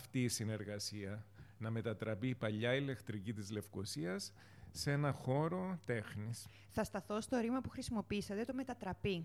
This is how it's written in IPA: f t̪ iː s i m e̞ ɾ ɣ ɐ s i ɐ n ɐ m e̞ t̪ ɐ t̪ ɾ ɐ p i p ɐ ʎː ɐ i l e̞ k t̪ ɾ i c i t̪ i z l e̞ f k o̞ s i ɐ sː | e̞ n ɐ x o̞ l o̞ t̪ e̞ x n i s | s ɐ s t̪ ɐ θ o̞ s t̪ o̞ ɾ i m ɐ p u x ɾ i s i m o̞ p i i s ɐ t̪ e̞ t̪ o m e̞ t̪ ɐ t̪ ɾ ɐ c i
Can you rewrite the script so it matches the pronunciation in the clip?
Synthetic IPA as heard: f t̪ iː s i n e̞ ɾ ɣ ɐ s i ɐ n ɐ m e̞ t̪ ɐ t̪ ɾ ɐ p i p ɐ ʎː ɐ i l e̞ k t̪ ɾ i c i t̪ i z l e̞ f k o̞ s i ɐ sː | e̞ n ɐ x o̞ ɾ o̞ t̪ e̞ x n i s | θ ɐ s t̪ ɐ θ o̞ s t̪ o̞ ɾ i m ɐ p u x ɾ i s i m o̞ p i i s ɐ t̪ e̞ t̪ o m e̞ t̪ ɐ t̪ ɾ ɐ p i